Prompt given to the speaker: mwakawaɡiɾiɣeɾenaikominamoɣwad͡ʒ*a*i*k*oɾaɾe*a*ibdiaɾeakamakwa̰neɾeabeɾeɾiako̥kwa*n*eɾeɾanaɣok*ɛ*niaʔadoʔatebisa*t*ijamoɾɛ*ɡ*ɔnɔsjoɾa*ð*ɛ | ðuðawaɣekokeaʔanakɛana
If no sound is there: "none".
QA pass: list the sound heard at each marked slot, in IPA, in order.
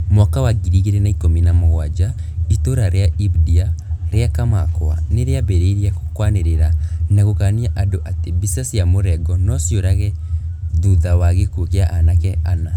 a, t, a, n, a, s, ɡ, ɣ

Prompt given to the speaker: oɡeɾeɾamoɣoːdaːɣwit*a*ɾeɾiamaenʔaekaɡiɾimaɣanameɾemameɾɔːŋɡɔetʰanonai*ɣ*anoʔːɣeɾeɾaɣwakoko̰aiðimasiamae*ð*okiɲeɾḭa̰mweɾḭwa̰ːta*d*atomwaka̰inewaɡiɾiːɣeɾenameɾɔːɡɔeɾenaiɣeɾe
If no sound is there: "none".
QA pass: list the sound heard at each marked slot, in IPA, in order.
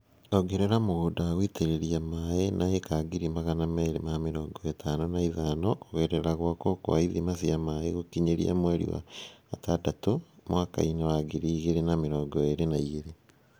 e, ð, ɣ, d

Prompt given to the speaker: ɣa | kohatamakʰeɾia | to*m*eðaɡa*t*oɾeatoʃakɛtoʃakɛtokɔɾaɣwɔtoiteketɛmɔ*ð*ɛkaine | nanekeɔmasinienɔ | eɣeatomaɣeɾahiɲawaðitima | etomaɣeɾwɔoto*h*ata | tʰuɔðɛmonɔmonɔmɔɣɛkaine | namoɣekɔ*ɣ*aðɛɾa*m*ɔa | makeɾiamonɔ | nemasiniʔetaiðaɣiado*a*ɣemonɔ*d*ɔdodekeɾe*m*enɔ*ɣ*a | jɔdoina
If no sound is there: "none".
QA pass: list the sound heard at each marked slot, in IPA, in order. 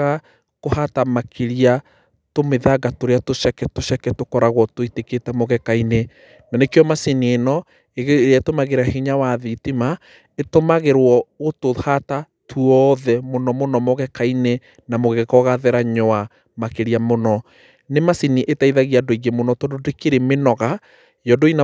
m, t, ɣ, h, ɣ, ɲ, i, t, m, ɣ

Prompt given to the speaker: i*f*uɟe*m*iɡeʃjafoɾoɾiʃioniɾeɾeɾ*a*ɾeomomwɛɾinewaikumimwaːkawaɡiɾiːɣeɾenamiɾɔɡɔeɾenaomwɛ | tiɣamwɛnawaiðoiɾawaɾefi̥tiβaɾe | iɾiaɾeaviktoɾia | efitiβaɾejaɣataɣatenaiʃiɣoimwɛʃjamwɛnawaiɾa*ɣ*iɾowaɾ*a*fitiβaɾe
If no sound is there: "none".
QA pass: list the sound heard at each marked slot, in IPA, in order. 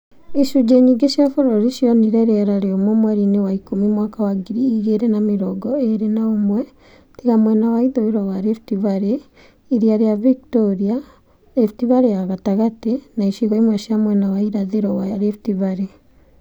ʃ, ɲ, a, ð, e

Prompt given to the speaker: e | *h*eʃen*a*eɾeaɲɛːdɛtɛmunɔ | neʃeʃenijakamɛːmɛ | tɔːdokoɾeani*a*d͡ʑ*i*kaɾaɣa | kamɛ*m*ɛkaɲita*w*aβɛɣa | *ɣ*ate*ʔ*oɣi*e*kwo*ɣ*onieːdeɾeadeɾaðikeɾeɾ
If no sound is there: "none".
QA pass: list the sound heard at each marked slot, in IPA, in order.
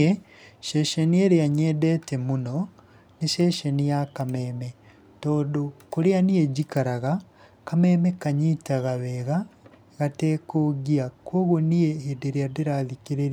ʃ, i, e, i, m, ɣ, ɣ, k, a, ɣ

